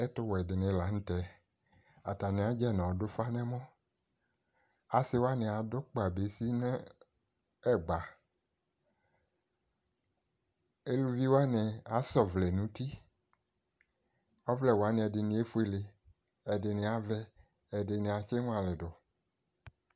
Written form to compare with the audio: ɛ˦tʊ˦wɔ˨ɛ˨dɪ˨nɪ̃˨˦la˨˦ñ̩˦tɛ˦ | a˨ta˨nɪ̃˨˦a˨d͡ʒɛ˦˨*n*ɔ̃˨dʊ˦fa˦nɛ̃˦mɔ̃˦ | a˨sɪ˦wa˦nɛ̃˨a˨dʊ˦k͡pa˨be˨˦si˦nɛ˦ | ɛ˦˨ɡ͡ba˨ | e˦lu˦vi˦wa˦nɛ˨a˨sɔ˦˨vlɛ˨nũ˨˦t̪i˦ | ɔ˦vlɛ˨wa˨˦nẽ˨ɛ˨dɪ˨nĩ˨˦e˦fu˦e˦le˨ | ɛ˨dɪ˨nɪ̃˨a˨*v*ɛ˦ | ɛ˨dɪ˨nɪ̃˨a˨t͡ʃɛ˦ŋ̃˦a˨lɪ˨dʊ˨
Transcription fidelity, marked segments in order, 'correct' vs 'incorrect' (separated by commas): correct, correct